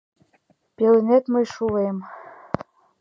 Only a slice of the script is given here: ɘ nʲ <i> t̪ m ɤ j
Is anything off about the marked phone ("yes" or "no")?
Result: yes